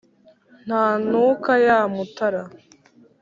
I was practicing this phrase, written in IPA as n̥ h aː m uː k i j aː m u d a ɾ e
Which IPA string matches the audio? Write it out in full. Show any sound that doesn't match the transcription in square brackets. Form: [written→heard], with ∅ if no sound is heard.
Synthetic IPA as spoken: n̥ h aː [m→n] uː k [i→a] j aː m u [d→t] a ɾ [e→a]